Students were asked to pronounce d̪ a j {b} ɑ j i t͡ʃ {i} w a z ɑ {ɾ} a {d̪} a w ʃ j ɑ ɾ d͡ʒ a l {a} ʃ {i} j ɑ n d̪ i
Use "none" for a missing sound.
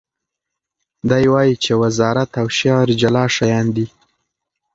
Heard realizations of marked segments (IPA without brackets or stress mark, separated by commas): w, e, ɾ, t̪, ɑ, a